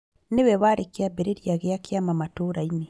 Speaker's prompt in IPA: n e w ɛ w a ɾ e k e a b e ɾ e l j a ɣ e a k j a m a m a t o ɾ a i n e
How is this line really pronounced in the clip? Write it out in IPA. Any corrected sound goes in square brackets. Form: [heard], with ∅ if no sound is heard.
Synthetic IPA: n e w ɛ [β] a ɾ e k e a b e ɾ e [ɾ] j a ɣ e a k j a m a m a t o ɾ a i n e